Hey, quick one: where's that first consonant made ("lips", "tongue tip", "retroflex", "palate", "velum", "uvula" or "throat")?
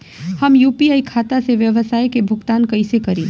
throat